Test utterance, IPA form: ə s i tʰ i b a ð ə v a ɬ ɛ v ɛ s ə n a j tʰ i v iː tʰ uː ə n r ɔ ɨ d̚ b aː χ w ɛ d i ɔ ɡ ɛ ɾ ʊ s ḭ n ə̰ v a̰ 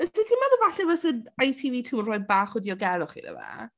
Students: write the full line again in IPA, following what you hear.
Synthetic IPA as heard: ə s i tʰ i m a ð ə v a ɬ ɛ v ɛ s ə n a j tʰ i v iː tʰ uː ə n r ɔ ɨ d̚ b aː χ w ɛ d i ɔ ɡ ɛ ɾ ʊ χ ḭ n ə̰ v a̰

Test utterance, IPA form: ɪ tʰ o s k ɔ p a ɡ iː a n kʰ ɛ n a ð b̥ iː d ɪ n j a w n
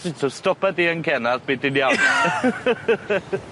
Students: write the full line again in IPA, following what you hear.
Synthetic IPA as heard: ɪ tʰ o s t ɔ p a d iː ə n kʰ ɛ n a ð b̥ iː d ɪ n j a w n

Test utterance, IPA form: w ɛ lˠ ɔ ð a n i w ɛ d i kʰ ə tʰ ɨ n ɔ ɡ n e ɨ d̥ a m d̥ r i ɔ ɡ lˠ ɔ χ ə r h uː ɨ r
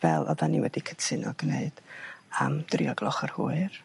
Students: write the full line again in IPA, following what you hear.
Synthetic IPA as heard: v ɛ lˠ ɔ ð a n i w ɛ d i kʰ ə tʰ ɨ n ɔ ɡ n e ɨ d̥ a m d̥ r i ɔ ɡ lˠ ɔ χ ə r h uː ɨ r

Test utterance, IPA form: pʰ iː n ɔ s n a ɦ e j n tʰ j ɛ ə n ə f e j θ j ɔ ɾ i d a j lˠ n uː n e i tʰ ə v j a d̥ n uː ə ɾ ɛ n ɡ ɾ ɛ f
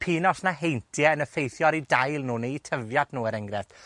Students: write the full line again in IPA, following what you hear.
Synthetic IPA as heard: pʰ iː n ɔ s n a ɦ e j n tʰ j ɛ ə n ə f e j θ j ɔ ɾ i d a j lˠ n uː n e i tʰ ə v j a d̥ n uː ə ɾ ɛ ŋ ɡ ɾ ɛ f

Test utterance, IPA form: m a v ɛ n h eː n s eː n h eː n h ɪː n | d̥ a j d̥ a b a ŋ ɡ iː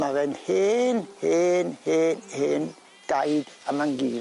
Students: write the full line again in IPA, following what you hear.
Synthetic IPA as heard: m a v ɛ n h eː n h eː n h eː n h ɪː n | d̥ a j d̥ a m a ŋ ɡ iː

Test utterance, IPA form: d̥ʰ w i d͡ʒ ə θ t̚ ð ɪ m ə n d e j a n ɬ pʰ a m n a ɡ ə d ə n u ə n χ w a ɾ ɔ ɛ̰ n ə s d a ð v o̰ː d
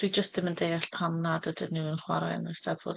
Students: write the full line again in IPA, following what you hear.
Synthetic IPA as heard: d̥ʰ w i d͡ʒ ə s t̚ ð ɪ m ə n d e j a ɬ pʰ a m n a d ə d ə n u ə n χ w a ɾ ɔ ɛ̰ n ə s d a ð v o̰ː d

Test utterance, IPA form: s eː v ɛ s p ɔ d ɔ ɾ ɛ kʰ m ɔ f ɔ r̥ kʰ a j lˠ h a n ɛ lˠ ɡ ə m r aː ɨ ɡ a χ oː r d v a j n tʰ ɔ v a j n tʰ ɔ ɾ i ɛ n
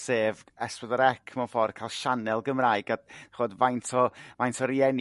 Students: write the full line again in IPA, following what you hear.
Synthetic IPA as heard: s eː v ɛ s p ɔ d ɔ ɾ ɛ kʰ m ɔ f ɔ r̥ kʰ a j lˠ ʃ a n ɛ lˠ ɡ ə m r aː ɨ ɡ a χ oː d v a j n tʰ ɔ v a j n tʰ ɔ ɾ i ɛ n

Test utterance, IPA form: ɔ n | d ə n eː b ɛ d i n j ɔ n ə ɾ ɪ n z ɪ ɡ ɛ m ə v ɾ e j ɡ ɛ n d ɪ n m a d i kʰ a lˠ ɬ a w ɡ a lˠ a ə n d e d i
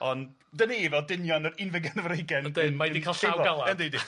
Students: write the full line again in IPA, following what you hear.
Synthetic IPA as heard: ɔ n | d ə n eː v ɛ d ɪ n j ɔ n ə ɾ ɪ n v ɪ ɡ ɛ n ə v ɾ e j ɡ ɛ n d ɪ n m a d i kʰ a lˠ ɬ a w ɡ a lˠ a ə n d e d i

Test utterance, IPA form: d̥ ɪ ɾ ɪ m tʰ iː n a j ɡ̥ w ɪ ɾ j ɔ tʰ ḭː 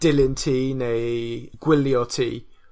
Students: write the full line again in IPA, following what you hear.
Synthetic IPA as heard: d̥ ɪ l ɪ n tʰ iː n e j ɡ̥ w ɪ l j ɔ tʰ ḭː

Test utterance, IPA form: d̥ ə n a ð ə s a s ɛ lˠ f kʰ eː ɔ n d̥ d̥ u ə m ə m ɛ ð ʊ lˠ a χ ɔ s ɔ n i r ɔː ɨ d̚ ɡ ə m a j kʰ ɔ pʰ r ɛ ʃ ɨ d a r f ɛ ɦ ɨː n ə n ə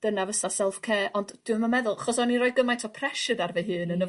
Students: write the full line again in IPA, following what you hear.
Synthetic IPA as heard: d̥ ə n a v ə s a s ɛ lˠ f kʰ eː ɔ n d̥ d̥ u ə m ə m ɛ ð ʊ lˠ a χ ɔ s ɔ n i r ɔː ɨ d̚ ɡ ə m a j tʰ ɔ pʰ r ɛ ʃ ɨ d a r v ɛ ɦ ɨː n ə n ə

